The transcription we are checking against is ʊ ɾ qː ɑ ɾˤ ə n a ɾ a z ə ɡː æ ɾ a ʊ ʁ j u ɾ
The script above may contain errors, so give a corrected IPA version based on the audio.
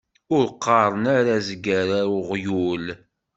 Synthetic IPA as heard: ʊ ɾ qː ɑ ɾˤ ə n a ɾ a z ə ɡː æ ɾ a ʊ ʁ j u l